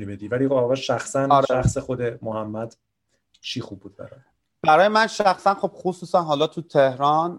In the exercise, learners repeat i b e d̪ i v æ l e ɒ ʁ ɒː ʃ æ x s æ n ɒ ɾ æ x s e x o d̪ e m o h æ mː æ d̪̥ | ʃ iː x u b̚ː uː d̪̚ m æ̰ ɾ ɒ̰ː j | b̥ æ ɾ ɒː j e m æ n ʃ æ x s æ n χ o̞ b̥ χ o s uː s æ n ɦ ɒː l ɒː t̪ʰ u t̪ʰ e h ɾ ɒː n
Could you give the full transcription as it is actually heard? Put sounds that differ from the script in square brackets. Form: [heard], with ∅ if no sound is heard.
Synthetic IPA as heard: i b e d̪ i v æ l [i] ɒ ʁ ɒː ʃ æ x s æ n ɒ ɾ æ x s e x o d̪ e m o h æ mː æ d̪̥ | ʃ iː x u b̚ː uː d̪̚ [b] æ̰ ɾ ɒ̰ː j | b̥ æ ɾ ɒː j e m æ n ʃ æ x s æ n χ o̞ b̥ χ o s uː s æ n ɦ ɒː l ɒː t̪ʰ u t̪ʰ e h ɾ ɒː n